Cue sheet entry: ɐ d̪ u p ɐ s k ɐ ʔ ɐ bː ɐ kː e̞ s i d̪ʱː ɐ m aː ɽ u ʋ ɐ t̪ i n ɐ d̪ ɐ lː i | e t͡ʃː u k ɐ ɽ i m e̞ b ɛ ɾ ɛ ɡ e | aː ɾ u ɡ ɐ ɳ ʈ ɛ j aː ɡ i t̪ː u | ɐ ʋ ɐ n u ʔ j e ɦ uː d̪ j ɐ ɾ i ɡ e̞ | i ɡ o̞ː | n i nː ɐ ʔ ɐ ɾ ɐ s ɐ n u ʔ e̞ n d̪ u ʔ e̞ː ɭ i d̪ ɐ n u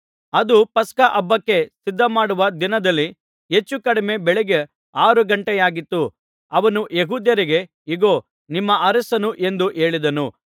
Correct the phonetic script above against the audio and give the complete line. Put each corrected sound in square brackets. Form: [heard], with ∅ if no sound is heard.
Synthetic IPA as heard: ɐ d̪ u p ɐ s k ɐ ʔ ɐ bː ɐ kː e̞ s i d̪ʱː ɐ m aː ɽ u ʋ ɐ [d̪] i n ɐ d̪ ɐ lː i | e t͡ʃː u k ɐ ɽ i m e̞ b ɛ [ɭ] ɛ ɡ e | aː ɾ u ɡ ɐ ɳ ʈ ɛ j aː ɡ i t̪ː u | ɐ ʋ ɐ n u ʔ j e ɦ uː d̪ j ɐ ɾ i ɡ e̞ | i ɡ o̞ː | n i [mː] ɐ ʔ ɐ ɾ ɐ s ɐ n u ʔ e̞ n d̪ u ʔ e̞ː ɭ i d̪ ɐ n u

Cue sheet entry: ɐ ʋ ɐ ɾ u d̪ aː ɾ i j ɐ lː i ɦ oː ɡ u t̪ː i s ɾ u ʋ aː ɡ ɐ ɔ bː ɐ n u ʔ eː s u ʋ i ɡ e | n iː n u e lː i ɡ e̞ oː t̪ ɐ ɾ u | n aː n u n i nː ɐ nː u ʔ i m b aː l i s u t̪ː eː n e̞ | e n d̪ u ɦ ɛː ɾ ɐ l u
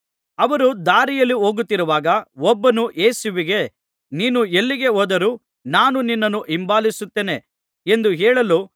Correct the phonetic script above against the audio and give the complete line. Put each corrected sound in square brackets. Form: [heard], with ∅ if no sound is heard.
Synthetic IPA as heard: ɐ ʋ ɐ ɾ u d̪ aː ɾ i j ɐ lː i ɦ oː ɡ u t̪ː i [∅] ɾ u ʋ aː ɡ ɐ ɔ bː ɐ n u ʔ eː s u ʋ i ɡ e | n iː n u e lː i ɡ e̞ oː [d̪] ɐ ɾ u | n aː n u n i nː ɐ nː u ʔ i m b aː l i s u t̪ː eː n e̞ | e n d̪ u ɦ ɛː [ɭ] ɐ l u

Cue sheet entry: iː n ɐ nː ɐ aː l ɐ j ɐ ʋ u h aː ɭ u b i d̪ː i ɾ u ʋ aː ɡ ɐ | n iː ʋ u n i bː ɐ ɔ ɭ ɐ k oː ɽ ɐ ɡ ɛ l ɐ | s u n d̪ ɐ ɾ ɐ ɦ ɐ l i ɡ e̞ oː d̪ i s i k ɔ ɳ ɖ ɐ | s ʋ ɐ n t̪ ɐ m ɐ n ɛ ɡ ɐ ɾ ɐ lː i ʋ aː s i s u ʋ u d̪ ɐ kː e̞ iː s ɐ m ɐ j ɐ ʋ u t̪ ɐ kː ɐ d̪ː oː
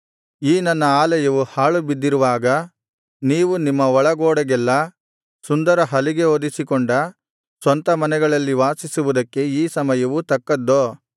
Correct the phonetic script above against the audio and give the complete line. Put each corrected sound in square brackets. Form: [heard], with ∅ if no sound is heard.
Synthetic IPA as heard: iː n ɐ nː ɐ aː l ɐ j ɐ ʋ u h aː ɭ u b i d̪ː i ɾ u ʋ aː ɡ ɐ | n iː ʋ u n i [mː] ɐ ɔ ɭ ɐ [ɡ] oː ɽ ɐ ɡ ɛ [lː] ɐ | s u n d̪ ɐ ɾ ɐ ɦ ɐ l i ɡ e̞ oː d̪ i s i k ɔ ɳ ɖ ɐ | s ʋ ɐ n t̪ ɐ m ɐ n ɛ ɡ ɐ [ɭ] ɐ lː i ʋ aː s i s u ʋ u d̪ ɐ kː e̞ iː s ɐ m ɐ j ɐ ʋ u t̪ ɐ kː ɐ d̪ː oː

